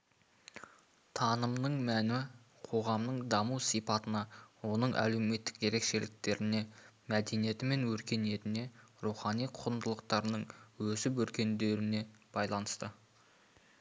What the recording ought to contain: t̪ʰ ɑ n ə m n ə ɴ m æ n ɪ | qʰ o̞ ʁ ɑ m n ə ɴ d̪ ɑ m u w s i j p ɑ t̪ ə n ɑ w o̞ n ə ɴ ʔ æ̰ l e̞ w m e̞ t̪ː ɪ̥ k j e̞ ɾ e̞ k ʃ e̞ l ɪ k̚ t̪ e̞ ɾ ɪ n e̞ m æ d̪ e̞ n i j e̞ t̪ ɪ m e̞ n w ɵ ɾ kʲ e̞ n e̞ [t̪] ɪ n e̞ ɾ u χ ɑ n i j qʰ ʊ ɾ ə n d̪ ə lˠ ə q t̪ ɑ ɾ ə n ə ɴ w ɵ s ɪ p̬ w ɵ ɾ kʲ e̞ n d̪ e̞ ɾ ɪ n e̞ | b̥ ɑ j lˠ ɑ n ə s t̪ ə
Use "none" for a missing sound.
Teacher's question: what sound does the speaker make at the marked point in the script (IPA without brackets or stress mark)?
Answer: t̪